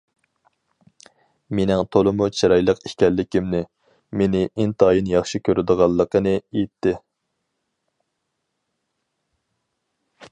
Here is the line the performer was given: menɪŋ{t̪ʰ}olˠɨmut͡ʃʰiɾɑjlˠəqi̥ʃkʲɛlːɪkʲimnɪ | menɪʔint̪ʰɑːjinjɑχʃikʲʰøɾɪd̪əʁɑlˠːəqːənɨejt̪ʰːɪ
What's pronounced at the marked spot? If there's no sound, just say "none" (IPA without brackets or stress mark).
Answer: t̪ʰ